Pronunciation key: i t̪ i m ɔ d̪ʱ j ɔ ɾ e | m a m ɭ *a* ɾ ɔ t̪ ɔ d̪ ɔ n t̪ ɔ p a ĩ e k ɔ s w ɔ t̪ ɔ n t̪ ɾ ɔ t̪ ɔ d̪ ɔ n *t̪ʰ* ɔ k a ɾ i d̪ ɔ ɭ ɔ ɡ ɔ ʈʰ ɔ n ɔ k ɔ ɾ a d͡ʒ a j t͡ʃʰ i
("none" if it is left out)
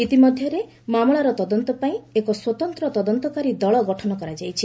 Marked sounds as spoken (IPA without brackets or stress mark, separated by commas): a, t̪